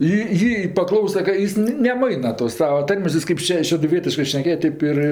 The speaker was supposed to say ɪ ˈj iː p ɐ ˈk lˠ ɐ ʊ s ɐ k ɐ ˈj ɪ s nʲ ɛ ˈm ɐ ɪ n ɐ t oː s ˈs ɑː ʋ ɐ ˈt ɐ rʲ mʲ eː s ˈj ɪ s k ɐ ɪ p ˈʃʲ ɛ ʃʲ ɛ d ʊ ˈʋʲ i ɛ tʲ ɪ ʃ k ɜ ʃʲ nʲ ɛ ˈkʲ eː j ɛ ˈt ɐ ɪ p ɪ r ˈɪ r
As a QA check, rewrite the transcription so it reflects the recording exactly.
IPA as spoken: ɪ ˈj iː p ɐ ˈk lˠ ɐ ʊ s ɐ k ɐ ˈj ɪ s nʲ ɛ ˈm ɐ ɪ n ɐ t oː s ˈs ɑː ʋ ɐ ˈt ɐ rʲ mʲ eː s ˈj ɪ s k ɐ ɪ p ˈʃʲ ɛ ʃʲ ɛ d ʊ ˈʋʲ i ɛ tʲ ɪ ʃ k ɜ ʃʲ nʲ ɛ ˈkʲ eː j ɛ ˈt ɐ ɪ p ɪ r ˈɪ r